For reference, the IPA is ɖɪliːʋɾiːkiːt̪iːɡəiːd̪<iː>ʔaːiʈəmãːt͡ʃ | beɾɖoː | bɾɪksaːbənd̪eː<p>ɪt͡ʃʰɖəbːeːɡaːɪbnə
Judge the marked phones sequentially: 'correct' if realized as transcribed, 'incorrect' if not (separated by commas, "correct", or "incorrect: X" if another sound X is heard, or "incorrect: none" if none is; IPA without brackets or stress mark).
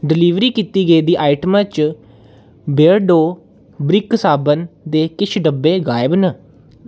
correct, incorrect: k